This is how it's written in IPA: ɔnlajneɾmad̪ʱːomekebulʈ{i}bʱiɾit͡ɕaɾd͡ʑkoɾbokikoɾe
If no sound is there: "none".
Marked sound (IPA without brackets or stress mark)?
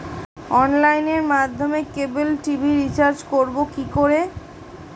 i